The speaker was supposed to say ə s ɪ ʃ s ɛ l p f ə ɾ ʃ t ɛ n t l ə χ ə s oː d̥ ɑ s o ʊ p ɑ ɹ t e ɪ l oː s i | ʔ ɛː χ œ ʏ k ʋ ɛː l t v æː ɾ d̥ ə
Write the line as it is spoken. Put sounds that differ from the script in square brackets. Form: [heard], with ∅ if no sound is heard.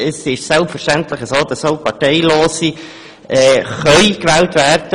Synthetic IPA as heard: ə s ɪ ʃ s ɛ l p f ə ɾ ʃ t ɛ n t l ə χ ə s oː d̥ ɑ s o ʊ p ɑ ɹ t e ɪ l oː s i | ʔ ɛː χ œ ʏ k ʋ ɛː l t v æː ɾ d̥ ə